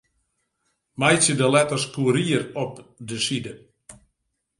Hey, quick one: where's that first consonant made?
lips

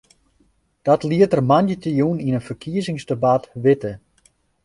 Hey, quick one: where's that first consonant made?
tongue tip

